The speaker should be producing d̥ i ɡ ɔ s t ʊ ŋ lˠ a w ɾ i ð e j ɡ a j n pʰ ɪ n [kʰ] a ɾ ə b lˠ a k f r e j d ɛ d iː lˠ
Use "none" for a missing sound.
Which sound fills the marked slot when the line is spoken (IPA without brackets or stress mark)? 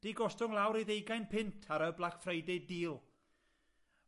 tʰ